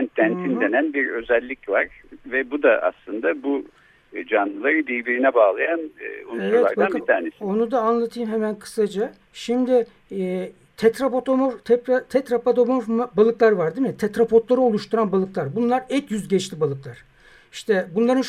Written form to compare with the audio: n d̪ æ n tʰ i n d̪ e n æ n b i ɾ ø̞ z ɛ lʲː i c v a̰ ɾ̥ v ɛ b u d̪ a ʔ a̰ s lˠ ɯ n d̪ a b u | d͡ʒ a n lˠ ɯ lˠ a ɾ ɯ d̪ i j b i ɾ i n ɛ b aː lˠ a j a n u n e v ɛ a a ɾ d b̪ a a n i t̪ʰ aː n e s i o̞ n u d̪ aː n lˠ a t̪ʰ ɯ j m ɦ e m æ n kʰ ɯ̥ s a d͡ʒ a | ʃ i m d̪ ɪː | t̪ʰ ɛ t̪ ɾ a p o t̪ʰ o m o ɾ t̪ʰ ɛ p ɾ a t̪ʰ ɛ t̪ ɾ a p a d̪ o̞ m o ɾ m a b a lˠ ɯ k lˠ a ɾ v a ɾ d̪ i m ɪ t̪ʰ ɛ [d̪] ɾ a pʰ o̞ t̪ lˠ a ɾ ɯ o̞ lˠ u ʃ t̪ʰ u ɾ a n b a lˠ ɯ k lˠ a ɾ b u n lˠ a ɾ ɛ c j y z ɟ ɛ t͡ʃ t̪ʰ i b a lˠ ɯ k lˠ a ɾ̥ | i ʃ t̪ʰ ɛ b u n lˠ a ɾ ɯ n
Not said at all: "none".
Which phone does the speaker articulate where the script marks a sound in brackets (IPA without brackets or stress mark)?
t̪